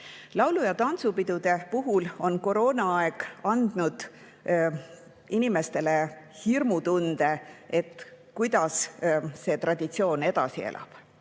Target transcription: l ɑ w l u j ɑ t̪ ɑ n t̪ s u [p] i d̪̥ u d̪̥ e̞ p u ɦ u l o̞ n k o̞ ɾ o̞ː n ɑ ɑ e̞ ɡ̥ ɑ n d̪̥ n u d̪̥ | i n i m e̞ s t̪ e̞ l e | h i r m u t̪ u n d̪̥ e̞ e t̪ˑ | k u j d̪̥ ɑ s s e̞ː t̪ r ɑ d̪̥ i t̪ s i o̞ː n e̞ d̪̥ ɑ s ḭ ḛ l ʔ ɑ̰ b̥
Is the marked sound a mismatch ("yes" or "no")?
no